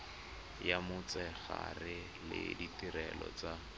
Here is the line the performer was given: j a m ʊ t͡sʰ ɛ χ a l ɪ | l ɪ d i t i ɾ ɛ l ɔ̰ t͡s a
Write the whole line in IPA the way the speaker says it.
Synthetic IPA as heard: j a m ʊ t͡s ɛ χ a r ɪ | l ɪ d i t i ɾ ɛ l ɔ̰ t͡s a